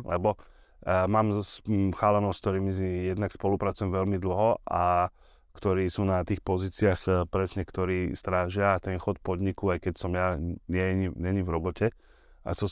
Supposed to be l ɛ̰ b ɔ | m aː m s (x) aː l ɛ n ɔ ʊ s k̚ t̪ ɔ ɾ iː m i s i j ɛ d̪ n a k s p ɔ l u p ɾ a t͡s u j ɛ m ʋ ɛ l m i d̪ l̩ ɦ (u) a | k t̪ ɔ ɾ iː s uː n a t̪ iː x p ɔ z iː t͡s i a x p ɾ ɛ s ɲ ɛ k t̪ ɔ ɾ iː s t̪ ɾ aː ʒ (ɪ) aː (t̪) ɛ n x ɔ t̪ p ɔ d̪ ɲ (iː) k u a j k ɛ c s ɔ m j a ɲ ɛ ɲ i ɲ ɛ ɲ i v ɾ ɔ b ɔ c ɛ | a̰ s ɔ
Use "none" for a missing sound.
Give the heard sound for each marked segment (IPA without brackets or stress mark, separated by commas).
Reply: x, ɔ, ɪ, t̪, i